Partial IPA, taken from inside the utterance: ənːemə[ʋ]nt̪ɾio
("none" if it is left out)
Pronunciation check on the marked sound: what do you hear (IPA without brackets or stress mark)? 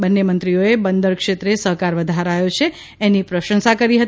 none